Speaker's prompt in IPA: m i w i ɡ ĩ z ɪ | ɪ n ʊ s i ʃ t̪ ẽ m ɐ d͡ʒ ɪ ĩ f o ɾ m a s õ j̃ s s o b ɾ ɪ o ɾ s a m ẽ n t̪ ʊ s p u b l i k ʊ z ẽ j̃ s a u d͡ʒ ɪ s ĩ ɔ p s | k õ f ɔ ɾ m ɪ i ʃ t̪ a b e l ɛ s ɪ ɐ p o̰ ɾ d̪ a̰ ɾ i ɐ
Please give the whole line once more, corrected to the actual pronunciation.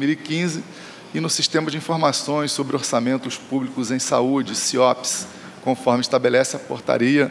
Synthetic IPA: m i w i k ĩ z ɪ | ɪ n ʊ s i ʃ t̪ ẽ m ɐ d͡ʒ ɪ ĩ f o ɾ m a s õ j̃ s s o b ɾ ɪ o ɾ s a m ẽ n t̪ ʊ s p u b l i k ʊ z ẽ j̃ s a u d͡ʒ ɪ s i ɔ p s | k õ f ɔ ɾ m ɪ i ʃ t̪ a b e l ɛ s ɪ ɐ p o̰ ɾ t̪ a̰ ɾ i ɐ

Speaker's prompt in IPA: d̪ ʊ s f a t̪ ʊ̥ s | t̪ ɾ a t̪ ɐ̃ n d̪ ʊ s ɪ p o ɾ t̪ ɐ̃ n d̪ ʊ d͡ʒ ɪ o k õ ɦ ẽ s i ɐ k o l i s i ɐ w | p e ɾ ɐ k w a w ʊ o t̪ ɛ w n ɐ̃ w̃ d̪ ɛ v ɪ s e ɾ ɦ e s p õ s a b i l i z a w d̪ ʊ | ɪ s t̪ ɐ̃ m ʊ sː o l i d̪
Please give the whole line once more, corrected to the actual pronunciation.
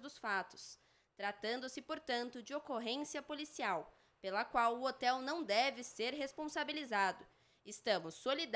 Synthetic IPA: d̪ ʊ s f a t̪ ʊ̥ s | t̪ ɾ a t̪ ɐ̃ n d̪ ʊ s ɪ p o ɾ t̪ ɐ̃ n t̪ ʊ d͡ʒ ɪ o k o ɦ ẽ s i ɐ p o l i s i a w | p e l ɐ k w a w ʊ o t̪ ɛ w n ɐ̃ w̃ d̪ ɛ v ɪ s e ɾ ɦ e s p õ s a b i l i z a d̪ ʊ | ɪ s t̪ ɐ̃ m ʊ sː o l i d̪

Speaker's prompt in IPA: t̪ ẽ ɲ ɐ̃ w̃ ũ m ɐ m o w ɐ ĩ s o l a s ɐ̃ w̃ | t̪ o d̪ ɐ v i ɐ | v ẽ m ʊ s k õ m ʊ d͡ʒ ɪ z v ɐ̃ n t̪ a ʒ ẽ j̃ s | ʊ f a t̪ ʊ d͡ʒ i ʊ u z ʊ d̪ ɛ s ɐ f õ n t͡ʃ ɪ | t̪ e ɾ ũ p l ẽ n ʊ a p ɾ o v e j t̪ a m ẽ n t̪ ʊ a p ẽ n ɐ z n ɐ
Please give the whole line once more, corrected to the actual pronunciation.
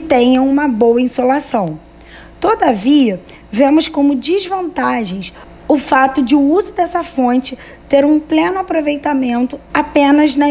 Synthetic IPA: t̪ ẽ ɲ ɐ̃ w̃ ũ m ɐ b o w ɐ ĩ s o l a s ɐ̃ w̃ | t̪ o d̪ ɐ v i ɐ | v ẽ m ʊ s k õ m ʊ d͡ʒ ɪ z v ɐ̃ n t̪ a ʒ ẽ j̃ s | ʊ f a t̪ ʊ d͡ʒ ɪ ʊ u z ʊ d̪ ɛ s ɐ f õ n t͡ʃ ɪ | t̪ e ɾ ũ p l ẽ n ʊ a p ɾ o v e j t̪ a m ẽ n t̪ ʊ a p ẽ n ɐ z n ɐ

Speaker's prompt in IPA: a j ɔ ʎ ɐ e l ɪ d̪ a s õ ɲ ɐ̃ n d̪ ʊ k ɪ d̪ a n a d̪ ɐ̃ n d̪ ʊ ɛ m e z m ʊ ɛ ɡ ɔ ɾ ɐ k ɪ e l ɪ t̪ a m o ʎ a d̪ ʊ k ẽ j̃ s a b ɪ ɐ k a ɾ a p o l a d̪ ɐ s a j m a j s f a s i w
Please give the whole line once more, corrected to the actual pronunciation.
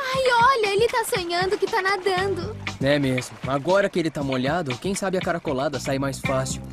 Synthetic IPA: a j ɔ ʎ ɐ e l ɪ t̪ a s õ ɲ ɐ̃ n d̪ ʊ k ɪ t̪ a n a d̪ ɐ̃ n d̪ ʊ ɛ m e z m ʊ a ɡ ɔ ɾ ɐ k ɪ e l ɪ t̪ a m o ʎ a d̪ ʊ k ẽ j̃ s a b ɪ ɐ k a ɾ a k o l a d̪ ɐ s a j m a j s f a s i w

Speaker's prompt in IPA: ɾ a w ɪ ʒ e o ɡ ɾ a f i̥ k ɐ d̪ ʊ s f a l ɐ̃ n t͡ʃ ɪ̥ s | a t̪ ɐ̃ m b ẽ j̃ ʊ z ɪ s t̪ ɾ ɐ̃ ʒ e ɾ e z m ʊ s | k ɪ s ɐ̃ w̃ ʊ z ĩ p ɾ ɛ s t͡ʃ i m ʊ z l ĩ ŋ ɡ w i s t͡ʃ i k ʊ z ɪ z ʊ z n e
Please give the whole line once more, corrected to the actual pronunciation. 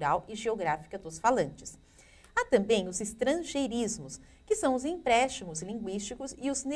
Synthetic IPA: ɾ a w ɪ ʒ e o ɡ ɾ a f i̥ k ɐ d̪ ʊ s f a l ɐ̃ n t͡ʃ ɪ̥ s | a t̪ ɐ̃ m b ẽ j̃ ʊ z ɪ s t̪ ɾ ɐ̃ ʒ e ɾ i z m ʊ s | k ɪ s ɐ̃ w̃ ʊ z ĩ p ɾ ɛ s t͡ʃ i m ʊ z l ĩ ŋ ɡ w i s t͡ʃ i k ʊ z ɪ ʊ z n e

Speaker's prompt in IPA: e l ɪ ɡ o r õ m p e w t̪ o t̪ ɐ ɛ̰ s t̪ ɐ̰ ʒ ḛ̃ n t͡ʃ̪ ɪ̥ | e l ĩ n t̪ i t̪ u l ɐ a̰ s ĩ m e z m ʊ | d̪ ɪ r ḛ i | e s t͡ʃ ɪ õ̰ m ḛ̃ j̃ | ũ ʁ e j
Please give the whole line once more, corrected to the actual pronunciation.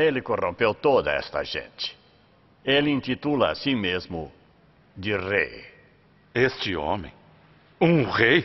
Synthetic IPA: e l ɪ k o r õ m p e w t̪ o d̪ ɐ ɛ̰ s t̪ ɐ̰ ʒ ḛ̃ n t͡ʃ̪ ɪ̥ | e l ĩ n t̪ i t̪ u l ɐ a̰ s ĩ m e z m ʊ | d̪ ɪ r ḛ j | e s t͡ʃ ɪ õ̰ m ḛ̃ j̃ | ũ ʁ e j

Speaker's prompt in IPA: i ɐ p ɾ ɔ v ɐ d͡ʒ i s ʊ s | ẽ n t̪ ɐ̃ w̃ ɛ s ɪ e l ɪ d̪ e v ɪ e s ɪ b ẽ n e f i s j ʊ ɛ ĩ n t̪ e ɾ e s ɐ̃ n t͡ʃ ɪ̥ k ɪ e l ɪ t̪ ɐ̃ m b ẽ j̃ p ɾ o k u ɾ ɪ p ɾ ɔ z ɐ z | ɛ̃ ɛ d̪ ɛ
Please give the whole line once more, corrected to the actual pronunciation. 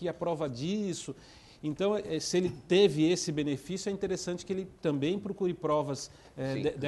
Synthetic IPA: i ɐ p ɾ ɔ v ɐ d͡ʒ i s ʊ | ẽ n t̪ ɐ̃ w̃ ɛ s ɪ e l ɪ t̪ e v ɪ e s ɪ b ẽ n e f i s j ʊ ɛ ĩ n t̪ e ɾ e s ɐ̃ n t͡ʃ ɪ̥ k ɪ e l ɪ t̪ ɐ̃ m b ẽ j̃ p ɾ o k u ɾ ɪ p ɾ ɔ v ɐ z | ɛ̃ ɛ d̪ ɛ

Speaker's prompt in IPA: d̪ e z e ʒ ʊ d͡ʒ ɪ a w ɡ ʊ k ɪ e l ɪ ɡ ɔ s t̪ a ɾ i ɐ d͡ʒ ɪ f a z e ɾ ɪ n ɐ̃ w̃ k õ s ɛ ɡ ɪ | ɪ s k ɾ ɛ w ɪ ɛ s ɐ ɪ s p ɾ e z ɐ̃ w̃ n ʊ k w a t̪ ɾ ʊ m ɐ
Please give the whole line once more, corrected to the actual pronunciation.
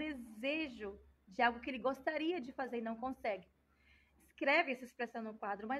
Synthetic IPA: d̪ e z e ʒ ʊ d͡ʒ ɪ a w ɡ ʊ k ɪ e l ɪ ɡ o s t̪ a ɾ i ɐ d͡ʒ ɪ f a z e ɾ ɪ n ɐ̃ w̃ k õ s ɛ ɡ ɪ | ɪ s k ɾ ɛ v ɪ ɛ s ɐ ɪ s p ɾ e s ɐ̃ w̃ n ʊ k w a d̪ ɾ ʊ m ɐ

